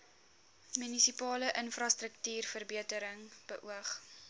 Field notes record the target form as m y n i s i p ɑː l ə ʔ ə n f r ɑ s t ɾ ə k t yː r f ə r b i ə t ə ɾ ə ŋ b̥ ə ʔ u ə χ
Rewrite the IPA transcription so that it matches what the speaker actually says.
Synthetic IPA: m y n i s i p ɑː l ə ʔ ə n f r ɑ s t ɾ ə k t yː r f ə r b i ə t ə ɾ ə ŋ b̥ ə ʔ u ə χ